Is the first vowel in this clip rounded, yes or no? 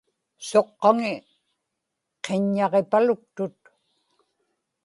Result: yes